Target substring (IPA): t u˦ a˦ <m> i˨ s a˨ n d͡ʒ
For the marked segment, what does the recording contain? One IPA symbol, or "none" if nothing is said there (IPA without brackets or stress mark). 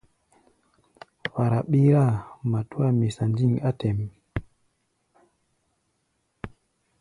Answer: m